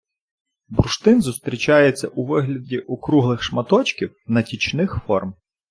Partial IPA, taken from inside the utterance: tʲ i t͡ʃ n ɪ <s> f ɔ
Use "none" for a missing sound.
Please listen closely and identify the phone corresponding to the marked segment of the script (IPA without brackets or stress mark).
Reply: x